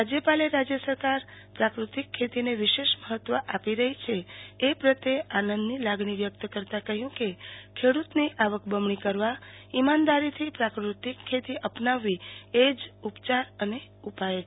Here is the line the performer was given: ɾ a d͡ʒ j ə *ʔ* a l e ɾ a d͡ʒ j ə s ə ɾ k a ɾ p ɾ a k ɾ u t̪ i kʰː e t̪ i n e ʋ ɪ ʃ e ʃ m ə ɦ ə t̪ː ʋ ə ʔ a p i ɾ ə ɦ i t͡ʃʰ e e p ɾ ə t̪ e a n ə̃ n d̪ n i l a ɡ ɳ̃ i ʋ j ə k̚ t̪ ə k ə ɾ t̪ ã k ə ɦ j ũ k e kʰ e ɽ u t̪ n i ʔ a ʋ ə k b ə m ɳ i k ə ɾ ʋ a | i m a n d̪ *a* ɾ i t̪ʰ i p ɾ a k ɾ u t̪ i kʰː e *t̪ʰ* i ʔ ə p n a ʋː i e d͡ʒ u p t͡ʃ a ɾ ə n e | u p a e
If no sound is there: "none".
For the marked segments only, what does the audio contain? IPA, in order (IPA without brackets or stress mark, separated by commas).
p, a, t̪